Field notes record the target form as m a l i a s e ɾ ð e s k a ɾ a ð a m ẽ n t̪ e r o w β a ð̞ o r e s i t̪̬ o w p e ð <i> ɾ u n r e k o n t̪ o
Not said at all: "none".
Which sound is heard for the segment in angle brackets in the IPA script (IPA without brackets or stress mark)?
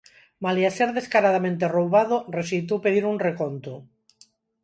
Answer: i